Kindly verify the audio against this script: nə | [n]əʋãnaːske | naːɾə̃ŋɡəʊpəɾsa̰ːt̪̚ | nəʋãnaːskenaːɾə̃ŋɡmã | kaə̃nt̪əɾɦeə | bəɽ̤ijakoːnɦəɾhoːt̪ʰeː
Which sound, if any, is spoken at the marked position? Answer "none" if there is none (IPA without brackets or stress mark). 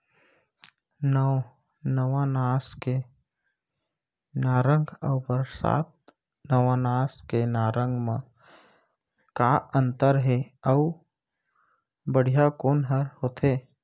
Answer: n